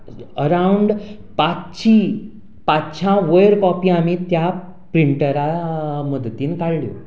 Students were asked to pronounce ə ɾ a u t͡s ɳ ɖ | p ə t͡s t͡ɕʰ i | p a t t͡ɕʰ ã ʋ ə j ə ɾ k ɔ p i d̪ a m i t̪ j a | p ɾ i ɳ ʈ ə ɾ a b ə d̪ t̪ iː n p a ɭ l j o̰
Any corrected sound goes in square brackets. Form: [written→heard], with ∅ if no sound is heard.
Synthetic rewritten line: ə ɾ a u [t͡s→∅] ɳ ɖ | p [ə→a] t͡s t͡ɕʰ i | p a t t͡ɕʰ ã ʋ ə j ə ɾ k ɔ p i [d̪→∅] a m i t̪ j a | p ɾ i ɳ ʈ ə ɾ a [b→m] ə d̪ t̪ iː n [p→k] a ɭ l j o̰